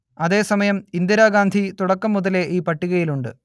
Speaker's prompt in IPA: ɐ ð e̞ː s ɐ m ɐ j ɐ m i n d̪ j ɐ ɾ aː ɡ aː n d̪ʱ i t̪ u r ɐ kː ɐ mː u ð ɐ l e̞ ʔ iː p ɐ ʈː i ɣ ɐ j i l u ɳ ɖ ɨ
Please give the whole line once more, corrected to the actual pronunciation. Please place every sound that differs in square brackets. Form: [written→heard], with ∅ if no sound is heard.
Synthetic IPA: ɐ ð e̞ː s ɐ m ɐ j ɐ m i n d̪ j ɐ ɾ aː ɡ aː n d̪ʱ i t̪ u [r→ɽ] ɐ kː ɐ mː u ð ɐ l e̞ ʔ iː p ɐ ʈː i ɣ ɐ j i l u ɳ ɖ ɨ

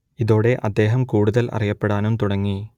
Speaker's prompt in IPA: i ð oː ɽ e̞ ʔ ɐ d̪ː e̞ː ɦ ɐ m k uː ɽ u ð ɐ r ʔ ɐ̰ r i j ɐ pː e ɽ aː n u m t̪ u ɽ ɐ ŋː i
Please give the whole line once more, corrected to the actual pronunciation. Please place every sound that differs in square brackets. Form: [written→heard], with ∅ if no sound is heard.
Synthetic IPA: i ð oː ɽ e̞ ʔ ɐ d̪ː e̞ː ɦ ɐ m k uː ɽ u ð ɐ [r→l] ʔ ɐ̰ r i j ɐ pː e ɽ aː n u m t̪ u ɽ ɐ ŋː i

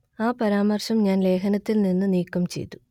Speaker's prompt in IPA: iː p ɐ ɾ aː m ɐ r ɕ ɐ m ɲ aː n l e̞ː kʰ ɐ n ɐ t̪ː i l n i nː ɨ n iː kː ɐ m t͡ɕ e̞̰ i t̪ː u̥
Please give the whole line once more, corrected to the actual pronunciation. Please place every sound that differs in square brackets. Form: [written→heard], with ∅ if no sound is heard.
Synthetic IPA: [iː→aː] p ɐ ɾ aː m ɐ r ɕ ɐ m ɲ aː n l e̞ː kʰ ɐ n ɐ t̪ː i l n i nː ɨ n iː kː ɐ m t͡ɕ e̞̰ [i→j] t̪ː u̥

